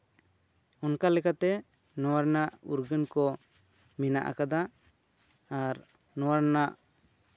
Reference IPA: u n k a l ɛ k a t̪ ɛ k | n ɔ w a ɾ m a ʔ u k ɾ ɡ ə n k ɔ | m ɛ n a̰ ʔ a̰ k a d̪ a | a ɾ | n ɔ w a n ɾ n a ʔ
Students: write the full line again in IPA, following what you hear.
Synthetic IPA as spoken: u n k a l ɛ k a t̪ ɛ | n ɔ w a ɾ n a ʔ u ɾ ɡ ə n k ɔ | m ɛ n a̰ ʔ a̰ k a d̪ a | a ɾ | n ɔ w a ɾ n a ʔ